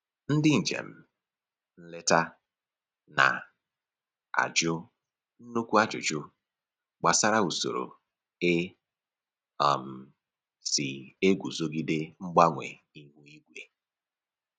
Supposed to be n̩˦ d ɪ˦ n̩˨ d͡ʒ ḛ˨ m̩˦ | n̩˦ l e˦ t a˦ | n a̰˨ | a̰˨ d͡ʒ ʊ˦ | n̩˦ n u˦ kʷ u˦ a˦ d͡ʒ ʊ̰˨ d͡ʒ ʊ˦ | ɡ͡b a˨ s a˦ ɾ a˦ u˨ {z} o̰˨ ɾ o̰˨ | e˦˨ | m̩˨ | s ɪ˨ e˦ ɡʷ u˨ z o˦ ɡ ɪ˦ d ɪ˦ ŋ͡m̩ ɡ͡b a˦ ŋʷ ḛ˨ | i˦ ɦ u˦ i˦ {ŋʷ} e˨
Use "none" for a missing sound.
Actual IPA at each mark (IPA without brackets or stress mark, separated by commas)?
s, ɡʷ